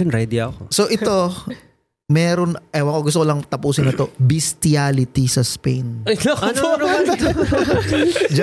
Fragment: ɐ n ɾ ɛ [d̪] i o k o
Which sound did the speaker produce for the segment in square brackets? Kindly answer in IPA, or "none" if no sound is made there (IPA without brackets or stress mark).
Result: d̪